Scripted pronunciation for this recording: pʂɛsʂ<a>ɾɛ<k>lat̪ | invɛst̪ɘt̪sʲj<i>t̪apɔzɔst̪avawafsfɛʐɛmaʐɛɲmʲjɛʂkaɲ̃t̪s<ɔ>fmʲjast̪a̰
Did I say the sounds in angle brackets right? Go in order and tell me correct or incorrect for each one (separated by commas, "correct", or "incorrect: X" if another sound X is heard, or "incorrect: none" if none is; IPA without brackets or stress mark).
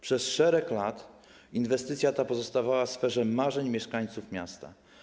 incorrect: ɛ, correct, incorrect: a, incorrect: u